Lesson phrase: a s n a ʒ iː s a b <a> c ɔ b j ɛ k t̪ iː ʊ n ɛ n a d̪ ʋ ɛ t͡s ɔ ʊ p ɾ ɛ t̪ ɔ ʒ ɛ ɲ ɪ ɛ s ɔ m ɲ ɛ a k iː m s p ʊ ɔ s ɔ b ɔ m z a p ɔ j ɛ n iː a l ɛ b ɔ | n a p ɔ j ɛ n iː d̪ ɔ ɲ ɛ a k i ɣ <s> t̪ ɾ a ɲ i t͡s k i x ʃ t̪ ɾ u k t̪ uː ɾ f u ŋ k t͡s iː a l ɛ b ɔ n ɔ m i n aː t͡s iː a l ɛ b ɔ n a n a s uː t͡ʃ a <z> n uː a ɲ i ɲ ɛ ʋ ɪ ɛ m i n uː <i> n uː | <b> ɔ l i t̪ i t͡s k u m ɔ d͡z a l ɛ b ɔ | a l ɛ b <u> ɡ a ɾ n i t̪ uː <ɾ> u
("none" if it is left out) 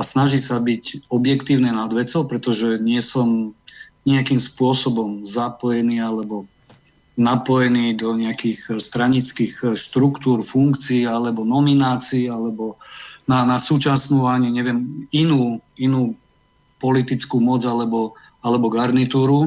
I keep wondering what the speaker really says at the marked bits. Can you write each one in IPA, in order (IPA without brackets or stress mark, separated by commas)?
i, s, s, i, p, ɔ, ɾ